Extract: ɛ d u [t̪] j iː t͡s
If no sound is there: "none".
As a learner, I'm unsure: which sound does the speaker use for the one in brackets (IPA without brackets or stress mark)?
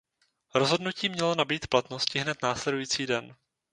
none